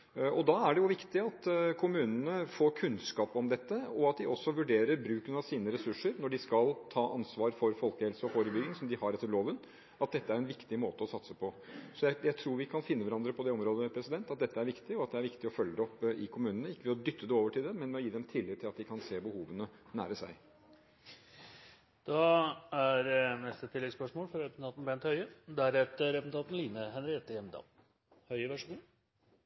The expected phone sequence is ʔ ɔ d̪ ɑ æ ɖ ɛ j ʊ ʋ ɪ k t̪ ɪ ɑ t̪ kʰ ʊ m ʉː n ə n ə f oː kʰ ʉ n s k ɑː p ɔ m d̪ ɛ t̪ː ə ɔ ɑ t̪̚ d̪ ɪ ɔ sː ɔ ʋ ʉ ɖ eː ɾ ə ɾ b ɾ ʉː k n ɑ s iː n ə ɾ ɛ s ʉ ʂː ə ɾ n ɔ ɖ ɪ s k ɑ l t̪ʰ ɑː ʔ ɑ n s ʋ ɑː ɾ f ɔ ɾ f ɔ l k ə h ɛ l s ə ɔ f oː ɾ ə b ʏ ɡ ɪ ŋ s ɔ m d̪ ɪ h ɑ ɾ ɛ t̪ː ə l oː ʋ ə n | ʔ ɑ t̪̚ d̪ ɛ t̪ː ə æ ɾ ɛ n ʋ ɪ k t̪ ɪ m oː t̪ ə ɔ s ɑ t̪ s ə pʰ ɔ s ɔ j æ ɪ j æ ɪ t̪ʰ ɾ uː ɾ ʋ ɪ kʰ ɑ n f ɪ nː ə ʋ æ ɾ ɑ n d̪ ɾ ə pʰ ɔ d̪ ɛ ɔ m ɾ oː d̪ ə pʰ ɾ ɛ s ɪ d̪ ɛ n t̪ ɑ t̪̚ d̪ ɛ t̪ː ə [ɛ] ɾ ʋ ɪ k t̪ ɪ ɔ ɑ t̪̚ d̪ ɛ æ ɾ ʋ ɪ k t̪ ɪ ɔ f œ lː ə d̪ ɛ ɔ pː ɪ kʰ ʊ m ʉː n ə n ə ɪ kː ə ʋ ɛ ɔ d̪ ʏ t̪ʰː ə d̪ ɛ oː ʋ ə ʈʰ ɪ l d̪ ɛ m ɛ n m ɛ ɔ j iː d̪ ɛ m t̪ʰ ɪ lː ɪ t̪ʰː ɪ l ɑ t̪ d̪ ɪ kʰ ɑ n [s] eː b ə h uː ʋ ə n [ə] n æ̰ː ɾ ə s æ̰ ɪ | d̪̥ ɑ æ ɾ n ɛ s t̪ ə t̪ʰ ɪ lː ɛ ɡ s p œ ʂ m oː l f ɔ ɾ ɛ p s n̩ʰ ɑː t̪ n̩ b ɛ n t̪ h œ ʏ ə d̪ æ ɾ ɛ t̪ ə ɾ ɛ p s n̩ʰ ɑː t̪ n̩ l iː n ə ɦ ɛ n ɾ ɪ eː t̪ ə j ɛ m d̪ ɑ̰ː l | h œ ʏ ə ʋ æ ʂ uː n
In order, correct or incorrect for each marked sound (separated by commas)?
incorrect, correct, correct